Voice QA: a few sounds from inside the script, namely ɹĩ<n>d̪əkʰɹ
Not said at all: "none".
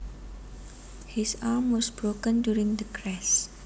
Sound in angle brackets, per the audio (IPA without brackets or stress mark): ŋ